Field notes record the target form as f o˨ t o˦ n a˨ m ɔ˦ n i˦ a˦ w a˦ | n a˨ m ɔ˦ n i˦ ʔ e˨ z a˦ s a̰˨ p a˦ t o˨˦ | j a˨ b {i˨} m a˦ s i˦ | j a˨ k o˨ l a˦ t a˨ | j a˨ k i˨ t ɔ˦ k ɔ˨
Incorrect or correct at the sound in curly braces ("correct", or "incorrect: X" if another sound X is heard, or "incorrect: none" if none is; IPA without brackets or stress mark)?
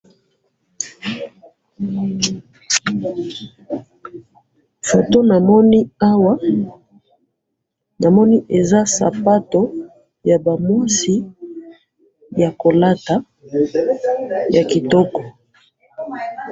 incorrect: a˨